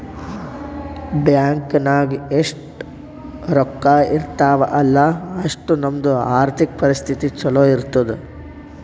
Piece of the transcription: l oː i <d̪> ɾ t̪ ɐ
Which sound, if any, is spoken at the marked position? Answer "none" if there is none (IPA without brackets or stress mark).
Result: none